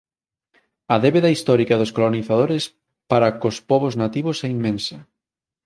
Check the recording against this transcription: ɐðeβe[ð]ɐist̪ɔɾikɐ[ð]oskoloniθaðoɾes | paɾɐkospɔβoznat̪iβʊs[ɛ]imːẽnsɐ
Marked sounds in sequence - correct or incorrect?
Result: correct, correct, correct

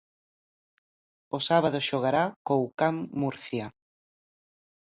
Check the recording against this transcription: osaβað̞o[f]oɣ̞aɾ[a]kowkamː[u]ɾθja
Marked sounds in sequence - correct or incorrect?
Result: incorrect: ʃ, correct, correct

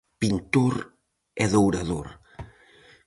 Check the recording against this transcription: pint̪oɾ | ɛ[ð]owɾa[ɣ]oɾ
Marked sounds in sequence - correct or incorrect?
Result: correct, incorrect: ð

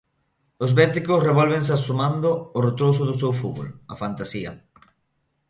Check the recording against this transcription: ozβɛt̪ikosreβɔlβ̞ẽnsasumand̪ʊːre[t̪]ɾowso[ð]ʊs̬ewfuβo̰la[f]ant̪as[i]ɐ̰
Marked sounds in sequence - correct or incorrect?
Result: correct, correct, correct, correct

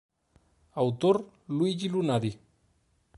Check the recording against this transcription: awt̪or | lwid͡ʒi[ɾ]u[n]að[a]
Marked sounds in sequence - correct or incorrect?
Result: incorrect: l, correct, incorrect: i

